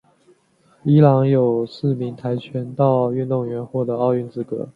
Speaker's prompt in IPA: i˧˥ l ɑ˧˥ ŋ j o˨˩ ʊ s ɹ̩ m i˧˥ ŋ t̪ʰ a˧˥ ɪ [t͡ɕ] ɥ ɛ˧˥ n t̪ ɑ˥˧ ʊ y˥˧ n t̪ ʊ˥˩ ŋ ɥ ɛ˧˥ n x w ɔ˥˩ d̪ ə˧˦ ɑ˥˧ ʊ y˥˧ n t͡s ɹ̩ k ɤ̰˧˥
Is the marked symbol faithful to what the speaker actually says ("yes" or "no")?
no